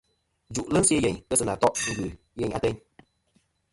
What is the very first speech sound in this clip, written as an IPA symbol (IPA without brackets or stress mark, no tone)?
d͡ʒ